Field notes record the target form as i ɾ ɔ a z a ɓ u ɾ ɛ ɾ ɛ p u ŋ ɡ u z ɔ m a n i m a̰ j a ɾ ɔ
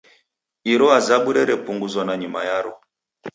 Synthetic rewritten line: i ɾ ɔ a z a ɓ u ɾ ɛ ɾ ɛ p u ŋ ɡ u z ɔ n a ɲ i m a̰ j a ɾ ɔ